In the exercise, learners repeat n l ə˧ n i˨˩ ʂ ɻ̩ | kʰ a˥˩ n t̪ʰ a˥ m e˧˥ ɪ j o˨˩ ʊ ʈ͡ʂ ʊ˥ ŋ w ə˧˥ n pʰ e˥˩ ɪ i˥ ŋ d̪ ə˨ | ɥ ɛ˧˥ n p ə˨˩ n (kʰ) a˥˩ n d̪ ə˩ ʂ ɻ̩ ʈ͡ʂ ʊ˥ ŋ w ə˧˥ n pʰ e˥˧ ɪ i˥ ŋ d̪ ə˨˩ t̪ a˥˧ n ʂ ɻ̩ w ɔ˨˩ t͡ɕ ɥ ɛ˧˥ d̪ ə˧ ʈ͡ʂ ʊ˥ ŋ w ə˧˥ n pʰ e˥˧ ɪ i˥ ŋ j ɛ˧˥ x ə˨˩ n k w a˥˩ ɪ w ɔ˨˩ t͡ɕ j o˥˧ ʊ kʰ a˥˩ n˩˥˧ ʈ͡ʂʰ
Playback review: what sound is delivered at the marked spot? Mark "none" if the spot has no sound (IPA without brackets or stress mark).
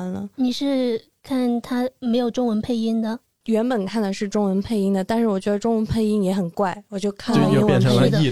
kʰ